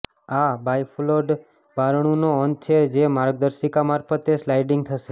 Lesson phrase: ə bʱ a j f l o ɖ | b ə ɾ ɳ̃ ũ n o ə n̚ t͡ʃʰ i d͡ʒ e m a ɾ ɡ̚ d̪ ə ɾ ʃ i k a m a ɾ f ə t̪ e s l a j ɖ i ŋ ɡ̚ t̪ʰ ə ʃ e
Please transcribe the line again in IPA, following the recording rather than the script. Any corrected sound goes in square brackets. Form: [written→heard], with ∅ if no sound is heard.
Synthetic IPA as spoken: [ə→a] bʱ a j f l o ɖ | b [ə→a] ɾ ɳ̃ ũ n o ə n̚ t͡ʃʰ [i→e] d͡ʒ e m a ɾ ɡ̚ d̪ ə ɾ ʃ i k a m a ɾ f ə t̪ e s l a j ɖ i ŋ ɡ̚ t̪ʰ ə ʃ e

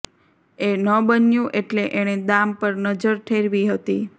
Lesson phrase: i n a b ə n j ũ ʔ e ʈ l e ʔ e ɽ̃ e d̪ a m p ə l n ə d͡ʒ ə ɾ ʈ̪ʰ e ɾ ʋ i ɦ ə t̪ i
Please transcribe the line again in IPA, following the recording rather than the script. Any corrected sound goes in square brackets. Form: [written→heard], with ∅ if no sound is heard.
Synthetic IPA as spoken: [i→e] n [a→ə] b ə n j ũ ʔ e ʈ l e ʔ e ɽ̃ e d̪ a m p ə [l→ɾ] n ə d͡ʒ ə ɾ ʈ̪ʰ e ɾ ʋ i ɦ ə t̪ i

